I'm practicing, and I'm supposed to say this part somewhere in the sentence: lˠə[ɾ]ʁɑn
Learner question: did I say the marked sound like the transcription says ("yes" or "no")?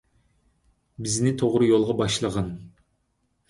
no